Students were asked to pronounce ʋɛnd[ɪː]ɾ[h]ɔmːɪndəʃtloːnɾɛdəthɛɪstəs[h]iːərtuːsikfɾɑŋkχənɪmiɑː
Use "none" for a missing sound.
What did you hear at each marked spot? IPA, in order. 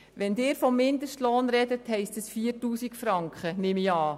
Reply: ɪː, f, f

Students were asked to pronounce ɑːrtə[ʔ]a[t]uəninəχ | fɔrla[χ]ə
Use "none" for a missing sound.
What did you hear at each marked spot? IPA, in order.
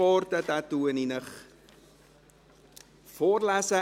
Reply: t, t, s

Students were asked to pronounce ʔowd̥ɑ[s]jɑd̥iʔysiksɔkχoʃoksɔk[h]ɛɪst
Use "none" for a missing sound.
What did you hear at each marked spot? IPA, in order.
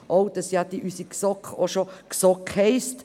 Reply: s, h

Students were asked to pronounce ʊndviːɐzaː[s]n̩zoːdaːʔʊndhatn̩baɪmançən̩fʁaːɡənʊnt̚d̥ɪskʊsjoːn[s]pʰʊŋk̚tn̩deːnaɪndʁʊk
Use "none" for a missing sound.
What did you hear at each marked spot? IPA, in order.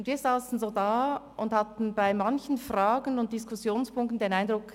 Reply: s, s

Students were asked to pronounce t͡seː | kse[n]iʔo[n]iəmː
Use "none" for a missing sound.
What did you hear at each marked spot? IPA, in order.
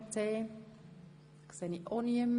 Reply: n, n

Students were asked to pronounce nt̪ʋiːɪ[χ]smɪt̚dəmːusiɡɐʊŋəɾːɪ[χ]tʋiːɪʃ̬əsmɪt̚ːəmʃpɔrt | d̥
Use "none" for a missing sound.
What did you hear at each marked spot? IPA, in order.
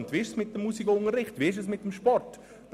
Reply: ʃ, χ

